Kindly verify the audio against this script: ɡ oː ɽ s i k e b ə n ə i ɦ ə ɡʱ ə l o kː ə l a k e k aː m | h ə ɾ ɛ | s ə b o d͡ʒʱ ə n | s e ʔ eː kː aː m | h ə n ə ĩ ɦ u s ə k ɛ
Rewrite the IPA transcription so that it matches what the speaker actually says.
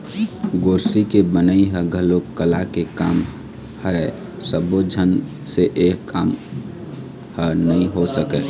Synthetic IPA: ɡ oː ɾ s i k e b ə n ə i ɦ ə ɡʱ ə l o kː ə l a k e k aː m | h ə ɾ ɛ | s ə b o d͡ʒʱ ə n | s e ʔ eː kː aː m | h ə n ə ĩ ɦ o s ə k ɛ